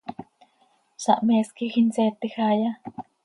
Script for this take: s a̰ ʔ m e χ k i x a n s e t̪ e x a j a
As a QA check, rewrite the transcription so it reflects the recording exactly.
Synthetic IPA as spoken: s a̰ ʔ m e s k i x i n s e t̪ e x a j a

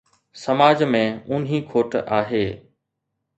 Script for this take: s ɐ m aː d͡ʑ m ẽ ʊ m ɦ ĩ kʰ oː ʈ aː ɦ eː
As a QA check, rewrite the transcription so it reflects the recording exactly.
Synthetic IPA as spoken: s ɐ m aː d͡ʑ m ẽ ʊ n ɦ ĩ kʰ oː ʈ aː ɦ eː

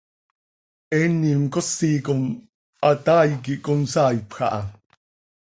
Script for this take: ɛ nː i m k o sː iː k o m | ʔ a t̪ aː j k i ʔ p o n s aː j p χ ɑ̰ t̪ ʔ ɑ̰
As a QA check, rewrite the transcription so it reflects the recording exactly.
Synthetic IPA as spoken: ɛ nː i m k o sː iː k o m | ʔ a t̪ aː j k i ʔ k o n s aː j p x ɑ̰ ʔ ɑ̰

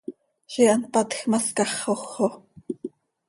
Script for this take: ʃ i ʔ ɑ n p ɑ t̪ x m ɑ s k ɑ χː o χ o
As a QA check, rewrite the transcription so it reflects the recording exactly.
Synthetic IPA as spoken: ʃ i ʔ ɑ n p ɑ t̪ x m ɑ s k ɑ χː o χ o

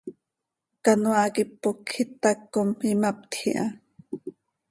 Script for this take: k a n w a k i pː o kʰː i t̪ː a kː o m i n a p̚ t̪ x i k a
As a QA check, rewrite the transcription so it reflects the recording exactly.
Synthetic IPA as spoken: k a n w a k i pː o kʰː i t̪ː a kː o m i m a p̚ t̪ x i ʔ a

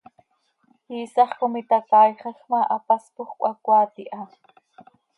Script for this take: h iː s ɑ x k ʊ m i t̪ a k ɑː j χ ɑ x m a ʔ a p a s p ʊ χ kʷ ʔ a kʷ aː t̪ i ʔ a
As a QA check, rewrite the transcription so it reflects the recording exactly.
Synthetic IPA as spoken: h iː s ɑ χ k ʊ m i t̪ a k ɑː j χ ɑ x m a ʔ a p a s p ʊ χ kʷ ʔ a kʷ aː t̪ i ʔ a

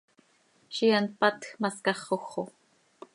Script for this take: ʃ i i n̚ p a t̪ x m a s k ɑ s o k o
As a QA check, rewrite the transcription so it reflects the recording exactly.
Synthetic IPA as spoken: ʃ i a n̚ p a t̪ x m a s k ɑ χ o x o

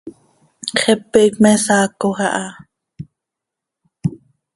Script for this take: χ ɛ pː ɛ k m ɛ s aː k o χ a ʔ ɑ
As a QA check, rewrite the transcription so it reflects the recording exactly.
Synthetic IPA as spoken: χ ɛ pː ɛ k m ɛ s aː k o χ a ʔ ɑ

